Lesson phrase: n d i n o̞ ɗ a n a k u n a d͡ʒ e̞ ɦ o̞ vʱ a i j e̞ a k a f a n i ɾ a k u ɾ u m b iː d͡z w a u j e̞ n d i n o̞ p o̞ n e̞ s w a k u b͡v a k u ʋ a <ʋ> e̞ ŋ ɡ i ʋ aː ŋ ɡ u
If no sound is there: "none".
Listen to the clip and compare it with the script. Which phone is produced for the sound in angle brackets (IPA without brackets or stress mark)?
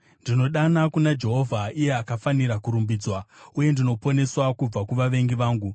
ʋ